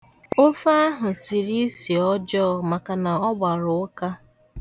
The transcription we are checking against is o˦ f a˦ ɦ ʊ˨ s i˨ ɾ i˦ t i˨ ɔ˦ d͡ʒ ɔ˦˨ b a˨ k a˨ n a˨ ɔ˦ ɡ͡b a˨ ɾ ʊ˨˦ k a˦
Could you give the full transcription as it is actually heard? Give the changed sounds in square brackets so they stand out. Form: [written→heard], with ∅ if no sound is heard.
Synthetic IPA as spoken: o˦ f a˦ ɦ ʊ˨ s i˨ ɾ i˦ [t→s] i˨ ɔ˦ d͡ʒ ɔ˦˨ [b→m] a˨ k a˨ n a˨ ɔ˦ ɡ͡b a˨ ɾ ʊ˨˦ k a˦